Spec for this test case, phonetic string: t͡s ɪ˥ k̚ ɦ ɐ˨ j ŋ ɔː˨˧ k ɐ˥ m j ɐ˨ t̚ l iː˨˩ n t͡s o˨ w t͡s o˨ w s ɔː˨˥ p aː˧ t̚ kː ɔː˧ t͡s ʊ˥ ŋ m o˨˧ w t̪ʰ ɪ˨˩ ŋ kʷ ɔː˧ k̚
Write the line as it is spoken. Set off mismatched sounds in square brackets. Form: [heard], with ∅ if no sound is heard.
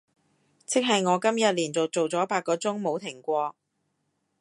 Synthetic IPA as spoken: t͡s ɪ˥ k̚ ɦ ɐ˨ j ŋ ɔː˨˧ k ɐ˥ m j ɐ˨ t̚ l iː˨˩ n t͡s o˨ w t͡s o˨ w [t͡s] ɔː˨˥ p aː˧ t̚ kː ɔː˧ t͡s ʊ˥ ŋ m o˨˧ w t̪ʰ ɪ˨˩ ŋ kʷ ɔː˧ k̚